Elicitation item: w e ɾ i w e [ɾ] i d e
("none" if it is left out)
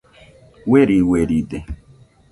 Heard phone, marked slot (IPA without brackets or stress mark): ɾ